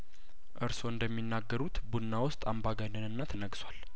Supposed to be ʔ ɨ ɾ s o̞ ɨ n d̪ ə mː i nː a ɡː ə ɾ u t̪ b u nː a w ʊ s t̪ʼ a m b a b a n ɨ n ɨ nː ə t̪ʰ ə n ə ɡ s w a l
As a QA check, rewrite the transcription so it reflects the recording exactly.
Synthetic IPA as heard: ʔ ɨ ɾ s o̞ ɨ n d̪ ə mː i nː a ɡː ə ɾ u t̪ b u nː a w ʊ s t̪ʼ a m b a ɡ a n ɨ n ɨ nː a t̪ʰ ə n ə ɡ s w a l